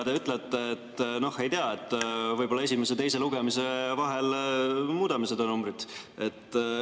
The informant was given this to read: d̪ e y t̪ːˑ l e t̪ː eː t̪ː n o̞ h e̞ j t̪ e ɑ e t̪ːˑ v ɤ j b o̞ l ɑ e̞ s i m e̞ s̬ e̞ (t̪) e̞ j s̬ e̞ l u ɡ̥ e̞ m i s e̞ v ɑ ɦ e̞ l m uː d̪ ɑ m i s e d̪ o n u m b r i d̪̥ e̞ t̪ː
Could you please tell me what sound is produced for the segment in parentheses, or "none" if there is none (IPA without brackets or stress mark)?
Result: t̪